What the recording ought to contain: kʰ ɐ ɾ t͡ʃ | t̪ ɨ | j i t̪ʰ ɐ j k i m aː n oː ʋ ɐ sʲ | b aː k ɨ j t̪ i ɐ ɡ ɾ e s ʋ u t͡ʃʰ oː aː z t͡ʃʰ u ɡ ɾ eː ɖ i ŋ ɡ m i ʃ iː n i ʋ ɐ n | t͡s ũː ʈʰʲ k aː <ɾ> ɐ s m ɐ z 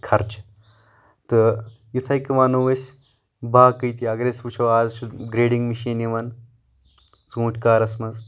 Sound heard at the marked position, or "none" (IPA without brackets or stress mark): ɾ